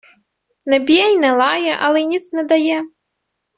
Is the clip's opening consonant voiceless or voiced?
voiced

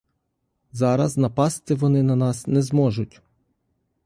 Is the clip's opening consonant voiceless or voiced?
voiced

